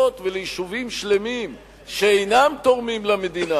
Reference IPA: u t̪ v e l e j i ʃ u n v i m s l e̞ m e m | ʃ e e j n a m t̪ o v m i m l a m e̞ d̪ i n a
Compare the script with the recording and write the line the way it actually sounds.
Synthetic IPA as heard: o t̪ v e l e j i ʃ u v i m ʃ l e̞ m i m | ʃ e e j n a m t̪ o ʁ m i m l a m e̞ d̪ i n a

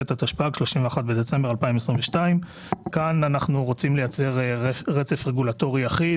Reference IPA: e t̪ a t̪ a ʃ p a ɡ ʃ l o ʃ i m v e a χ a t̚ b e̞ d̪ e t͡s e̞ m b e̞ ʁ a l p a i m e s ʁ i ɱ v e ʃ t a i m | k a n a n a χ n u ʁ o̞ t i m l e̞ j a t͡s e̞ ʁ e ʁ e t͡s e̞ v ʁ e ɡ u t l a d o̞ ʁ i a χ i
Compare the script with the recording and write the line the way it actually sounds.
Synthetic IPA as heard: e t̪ a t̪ a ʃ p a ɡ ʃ l o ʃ i m v e a χ a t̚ b e̞ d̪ e t͡s e̞ m b e̞ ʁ a l p a i m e s ʁ i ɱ v e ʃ t a i m | k a n a n a χ n u ʁ o̞ t͡s i m l e̞ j a t͡s e̞ ʁ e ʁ e t͡s e̞ f ʁ e ɡ u l a t o̞ ʁ i a χ i

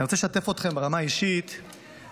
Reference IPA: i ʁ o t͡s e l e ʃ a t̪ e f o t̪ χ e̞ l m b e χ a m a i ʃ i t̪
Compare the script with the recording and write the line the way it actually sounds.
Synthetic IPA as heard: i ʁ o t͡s e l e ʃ a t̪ e f o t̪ χ e̞ m b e ʁ a m a i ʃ i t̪

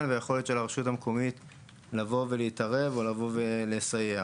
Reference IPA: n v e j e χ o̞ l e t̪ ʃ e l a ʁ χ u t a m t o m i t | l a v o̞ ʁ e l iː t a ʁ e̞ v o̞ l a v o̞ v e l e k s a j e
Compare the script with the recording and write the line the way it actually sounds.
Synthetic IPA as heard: n v e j e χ o̞ l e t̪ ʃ e l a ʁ ʃ u t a m k o m i t | l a v o̞ v e l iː t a ʁ e̞ v o̞ l a v o̞ v e l e s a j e

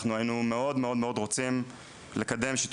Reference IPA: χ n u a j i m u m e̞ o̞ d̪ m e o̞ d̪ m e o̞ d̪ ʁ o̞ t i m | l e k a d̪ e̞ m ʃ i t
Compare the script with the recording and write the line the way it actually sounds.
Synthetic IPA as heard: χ n u a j i n u m e̞ o̞ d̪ m e o̞ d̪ m e o̞ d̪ ʁ o̞ t͡s i m | l e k a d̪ e̞ m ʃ i t

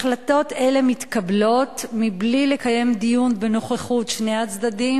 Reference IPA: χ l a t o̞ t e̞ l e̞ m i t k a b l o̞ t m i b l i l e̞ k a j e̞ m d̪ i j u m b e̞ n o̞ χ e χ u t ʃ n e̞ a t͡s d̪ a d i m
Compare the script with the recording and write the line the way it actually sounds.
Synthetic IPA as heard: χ l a t o̞ t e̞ l e̞ m i t k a b l o̞ t m i b l i l e̞ k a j e̞ m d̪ i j u n b e̞ n o̞ χ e χ u t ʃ n e̞ a t͡s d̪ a d i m

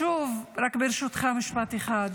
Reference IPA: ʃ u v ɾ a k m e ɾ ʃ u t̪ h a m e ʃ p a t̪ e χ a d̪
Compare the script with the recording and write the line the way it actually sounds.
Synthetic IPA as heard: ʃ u v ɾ a k b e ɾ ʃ u t̪ χ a m i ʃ p a t̪ e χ a d̪

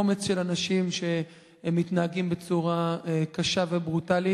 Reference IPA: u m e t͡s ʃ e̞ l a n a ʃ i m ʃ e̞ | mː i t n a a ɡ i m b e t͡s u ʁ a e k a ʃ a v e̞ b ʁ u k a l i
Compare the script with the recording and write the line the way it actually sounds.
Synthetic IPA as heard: o m e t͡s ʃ e̞ l a n a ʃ i m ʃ e̞ | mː i t n a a ɡ i m b e t͡s u ʁ a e k a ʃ a v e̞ b ʁ u t a l i

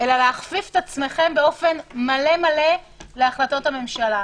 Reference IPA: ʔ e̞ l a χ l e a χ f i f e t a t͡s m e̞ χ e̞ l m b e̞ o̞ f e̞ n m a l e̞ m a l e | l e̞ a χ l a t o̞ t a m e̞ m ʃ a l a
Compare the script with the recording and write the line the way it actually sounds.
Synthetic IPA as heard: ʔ e̞ l a l e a χ f i f e t a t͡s m e̞ χ e̞ m b e̞ o̞ f e̞ n m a l e̞ m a l e | l e̞ a χ l a t o̞ t a m e̞ m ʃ a l a

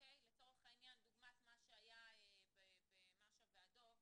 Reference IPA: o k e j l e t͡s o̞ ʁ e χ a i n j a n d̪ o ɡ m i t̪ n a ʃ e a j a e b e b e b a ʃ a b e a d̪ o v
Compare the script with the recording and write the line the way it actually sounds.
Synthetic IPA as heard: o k e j l e t͡s o̞ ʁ e χ a i n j a n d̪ u ɡ m a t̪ m a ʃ e a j a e b e b e m a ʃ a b e a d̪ o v

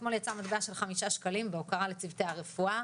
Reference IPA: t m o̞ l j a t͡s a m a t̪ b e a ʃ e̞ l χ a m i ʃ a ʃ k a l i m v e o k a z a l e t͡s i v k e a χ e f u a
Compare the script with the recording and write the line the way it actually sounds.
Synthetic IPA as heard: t m o̞ l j a t͡s a m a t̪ b e a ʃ e̞ l χ a m i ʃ a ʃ k a l i m b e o k a ʁ a l e t͡s i v t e a ʁ e f u a

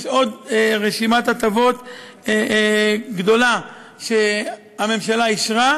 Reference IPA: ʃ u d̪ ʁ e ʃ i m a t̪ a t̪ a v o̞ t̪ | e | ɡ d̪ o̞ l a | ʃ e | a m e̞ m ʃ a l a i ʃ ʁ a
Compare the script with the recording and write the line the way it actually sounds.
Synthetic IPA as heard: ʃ o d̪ ʁ e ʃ i m a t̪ a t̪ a v o̞ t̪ | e | ɡ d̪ o̞ l a | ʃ e | a m e̞ m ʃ a l a i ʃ ʁ a

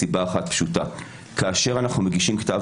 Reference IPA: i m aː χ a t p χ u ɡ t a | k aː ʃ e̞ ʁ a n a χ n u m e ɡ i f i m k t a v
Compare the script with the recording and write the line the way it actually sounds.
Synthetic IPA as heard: i b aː χ a t p ʃ u t a | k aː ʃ e̞ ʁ a n a χ n u m e ɡ i ʃ i m k t a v

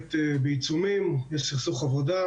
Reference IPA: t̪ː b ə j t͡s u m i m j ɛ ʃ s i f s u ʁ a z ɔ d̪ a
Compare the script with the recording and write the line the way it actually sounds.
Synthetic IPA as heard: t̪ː b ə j t͡s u m i m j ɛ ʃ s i χ s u χ a v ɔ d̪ a

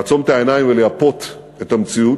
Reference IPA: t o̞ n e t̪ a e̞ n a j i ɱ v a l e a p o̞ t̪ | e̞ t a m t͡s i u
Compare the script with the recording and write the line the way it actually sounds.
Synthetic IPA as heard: t͡s o̞ m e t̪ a e̞ n a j i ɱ v e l e a p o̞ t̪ | e̞ t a m t͡s i u

